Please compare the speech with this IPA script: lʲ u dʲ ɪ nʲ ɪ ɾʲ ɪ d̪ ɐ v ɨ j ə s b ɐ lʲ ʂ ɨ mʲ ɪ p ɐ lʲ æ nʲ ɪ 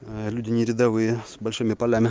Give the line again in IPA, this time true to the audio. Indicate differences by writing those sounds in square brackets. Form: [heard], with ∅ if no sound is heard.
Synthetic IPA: lʲ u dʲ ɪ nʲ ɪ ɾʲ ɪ d̪ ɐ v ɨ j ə s b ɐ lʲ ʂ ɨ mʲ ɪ p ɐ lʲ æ [mʲ] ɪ

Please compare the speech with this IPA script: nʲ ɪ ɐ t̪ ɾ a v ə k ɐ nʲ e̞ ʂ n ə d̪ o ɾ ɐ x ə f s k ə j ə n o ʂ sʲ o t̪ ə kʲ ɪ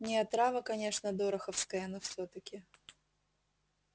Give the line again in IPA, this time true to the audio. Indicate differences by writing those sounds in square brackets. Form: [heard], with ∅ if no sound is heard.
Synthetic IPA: nʲ ɪ ɐ t̪ ɾ a v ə k ɐ nʲ e̞ ʂ n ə d̪ o ɾ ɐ x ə f s k ə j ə n o [f] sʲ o t̪ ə kʲ ɪ

